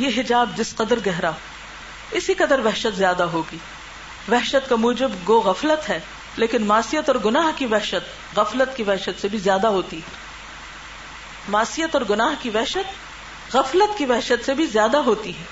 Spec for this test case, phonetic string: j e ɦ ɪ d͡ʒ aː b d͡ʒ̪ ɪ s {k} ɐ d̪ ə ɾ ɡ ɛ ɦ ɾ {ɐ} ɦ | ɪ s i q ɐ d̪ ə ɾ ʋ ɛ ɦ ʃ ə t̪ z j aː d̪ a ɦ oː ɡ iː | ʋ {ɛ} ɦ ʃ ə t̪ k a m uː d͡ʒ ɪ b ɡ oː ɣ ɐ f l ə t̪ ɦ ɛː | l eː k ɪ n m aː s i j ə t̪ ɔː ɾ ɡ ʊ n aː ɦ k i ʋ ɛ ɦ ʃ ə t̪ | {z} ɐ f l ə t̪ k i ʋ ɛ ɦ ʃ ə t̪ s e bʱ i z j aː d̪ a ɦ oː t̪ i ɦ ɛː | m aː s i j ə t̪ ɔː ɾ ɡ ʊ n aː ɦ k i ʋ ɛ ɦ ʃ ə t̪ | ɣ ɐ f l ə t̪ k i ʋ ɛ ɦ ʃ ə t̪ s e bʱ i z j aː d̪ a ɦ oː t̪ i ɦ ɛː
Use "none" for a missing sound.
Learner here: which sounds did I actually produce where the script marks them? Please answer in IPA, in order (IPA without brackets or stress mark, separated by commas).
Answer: q, a, ɛ, ɣ